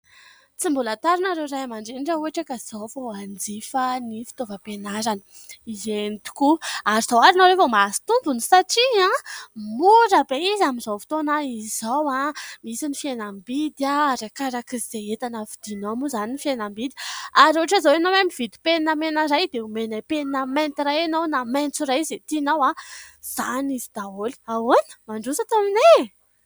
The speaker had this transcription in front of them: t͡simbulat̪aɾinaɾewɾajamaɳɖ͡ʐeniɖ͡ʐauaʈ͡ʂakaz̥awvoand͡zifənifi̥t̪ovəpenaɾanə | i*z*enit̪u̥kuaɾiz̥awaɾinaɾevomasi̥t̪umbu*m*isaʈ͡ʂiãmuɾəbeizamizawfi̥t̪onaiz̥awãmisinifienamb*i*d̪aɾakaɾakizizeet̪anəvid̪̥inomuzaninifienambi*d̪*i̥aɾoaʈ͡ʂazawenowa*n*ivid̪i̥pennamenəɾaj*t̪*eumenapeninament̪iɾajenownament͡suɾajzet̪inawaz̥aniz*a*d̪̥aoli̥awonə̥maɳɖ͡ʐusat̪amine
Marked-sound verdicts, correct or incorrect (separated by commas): correct, incorrect, correct, correct, incorrect, incorrect, incorrect